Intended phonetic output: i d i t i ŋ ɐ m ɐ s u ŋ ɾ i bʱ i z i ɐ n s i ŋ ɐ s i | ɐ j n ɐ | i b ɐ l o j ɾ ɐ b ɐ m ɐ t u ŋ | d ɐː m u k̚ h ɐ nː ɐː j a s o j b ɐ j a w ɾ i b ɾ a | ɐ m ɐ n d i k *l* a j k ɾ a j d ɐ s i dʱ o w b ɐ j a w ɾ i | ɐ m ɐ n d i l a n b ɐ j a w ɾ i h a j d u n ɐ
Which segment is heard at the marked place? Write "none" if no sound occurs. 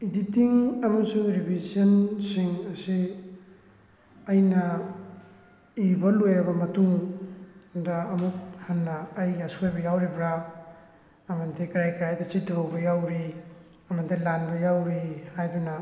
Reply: ɾ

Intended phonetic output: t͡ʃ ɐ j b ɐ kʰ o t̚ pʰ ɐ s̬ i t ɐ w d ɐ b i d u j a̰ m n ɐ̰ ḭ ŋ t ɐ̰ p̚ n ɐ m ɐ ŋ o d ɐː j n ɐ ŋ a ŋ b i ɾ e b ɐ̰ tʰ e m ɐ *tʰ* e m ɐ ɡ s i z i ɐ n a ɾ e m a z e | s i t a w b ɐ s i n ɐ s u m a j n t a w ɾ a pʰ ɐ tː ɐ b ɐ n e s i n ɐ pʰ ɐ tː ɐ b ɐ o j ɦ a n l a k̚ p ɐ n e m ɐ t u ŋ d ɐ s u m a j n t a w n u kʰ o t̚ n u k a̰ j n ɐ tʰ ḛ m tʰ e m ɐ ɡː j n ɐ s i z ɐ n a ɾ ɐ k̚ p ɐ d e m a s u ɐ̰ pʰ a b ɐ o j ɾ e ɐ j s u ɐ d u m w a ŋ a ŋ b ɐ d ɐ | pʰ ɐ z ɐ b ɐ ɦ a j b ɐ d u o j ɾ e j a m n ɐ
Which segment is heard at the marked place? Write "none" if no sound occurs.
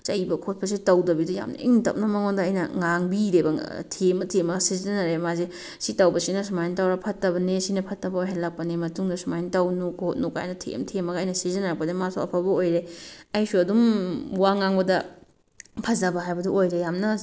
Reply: tʰ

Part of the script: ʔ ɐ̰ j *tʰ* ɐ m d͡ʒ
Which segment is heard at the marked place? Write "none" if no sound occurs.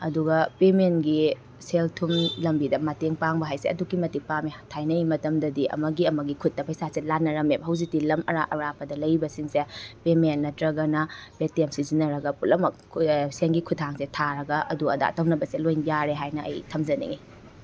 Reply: tʰ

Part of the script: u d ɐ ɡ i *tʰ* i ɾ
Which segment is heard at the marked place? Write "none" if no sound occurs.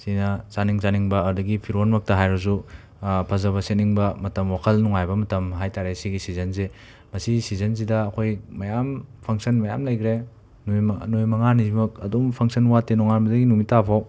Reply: pʰ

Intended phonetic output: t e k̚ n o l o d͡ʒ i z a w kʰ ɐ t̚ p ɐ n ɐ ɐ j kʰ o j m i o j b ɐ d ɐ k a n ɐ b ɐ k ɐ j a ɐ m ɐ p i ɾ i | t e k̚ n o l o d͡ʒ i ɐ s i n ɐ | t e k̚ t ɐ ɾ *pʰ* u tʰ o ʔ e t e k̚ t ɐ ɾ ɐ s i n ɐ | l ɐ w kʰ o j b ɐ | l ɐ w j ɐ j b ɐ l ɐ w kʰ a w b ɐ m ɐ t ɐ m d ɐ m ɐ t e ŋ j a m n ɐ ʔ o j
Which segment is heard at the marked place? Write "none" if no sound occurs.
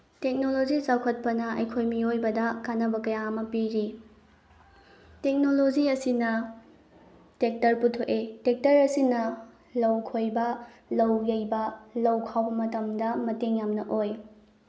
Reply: p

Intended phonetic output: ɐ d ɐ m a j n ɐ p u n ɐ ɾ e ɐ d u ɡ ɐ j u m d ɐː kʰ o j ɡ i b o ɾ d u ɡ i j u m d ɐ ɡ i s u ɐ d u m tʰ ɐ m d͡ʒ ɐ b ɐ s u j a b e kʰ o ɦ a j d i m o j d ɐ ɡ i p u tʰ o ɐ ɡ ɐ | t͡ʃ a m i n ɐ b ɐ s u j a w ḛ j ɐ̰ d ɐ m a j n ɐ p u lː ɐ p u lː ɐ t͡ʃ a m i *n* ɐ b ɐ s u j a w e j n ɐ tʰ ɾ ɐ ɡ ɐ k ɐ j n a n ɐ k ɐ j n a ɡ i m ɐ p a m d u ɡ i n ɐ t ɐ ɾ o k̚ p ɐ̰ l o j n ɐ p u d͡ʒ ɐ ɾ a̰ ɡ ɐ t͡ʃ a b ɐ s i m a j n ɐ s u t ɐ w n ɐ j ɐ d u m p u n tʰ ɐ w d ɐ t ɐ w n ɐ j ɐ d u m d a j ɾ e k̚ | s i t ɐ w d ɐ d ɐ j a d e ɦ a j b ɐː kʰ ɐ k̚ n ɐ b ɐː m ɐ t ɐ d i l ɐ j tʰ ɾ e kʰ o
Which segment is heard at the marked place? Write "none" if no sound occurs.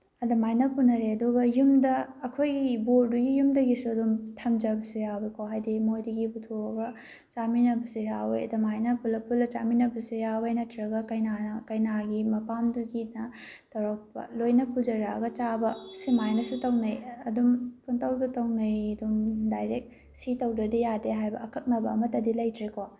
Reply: n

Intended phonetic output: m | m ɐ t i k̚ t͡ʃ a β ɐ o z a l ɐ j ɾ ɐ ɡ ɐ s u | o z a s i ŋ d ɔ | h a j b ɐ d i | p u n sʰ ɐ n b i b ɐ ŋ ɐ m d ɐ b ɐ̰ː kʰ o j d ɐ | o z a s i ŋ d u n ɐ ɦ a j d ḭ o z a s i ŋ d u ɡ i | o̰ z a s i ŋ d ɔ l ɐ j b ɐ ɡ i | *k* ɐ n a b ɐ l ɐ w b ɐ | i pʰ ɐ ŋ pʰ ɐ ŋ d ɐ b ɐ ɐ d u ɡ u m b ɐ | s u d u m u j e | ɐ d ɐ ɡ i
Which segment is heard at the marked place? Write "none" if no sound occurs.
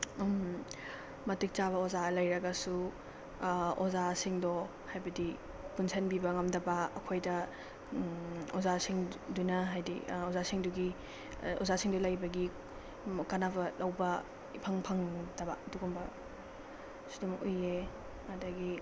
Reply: k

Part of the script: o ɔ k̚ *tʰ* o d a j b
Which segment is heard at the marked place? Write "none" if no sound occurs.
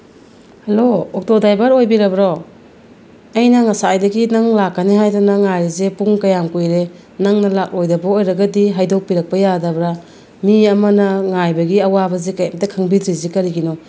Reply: t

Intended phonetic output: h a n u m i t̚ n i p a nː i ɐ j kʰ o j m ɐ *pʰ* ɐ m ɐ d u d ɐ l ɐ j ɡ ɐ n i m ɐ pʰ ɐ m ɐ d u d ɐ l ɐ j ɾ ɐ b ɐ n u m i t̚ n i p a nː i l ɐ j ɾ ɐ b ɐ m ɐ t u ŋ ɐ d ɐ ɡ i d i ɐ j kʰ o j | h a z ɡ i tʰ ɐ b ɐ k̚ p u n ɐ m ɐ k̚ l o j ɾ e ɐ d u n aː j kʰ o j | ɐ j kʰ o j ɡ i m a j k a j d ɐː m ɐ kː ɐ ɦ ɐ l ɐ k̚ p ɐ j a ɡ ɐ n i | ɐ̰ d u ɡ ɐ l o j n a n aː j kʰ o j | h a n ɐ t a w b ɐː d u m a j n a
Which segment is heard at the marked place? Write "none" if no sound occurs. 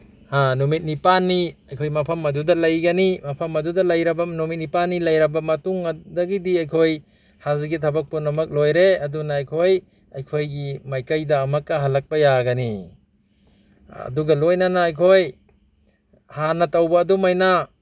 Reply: pʰ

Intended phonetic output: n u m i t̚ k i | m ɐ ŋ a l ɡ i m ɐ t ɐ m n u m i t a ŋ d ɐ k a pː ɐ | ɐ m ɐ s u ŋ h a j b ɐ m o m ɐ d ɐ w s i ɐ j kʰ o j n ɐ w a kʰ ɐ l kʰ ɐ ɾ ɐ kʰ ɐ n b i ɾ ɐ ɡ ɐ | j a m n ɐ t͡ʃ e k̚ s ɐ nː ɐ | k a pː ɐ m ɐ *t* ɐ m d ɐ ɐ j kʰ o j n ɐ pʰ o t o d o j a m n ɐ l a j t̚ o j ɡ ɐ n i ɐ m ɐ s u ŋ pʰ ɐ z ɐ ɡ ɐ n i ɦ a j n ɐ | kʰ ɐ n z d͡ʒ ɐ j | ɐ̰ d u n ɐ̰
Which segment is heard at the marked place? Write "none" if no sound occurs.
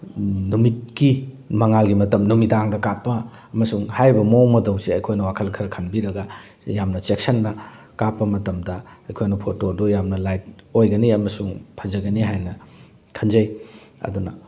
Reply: t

